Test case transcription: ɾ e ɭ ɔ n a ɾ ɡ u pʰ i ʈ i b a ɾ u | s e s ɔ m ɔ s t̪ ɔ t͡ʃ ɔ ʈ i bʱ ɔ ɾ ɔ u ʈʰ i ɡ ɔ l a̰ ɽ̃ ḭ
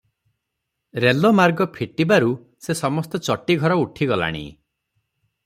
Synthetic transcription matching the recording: ɾ e l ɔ m a ɾ ɡ ɔ pʰ i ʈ i b a ɾ u | s e s ɔ m ɔ s t̪ ɔ t͡ʃ ɔ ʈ i ɡʱ ɔ ɾ ɔ u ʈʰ i ɡ ɔ l a̰ ɽ̃ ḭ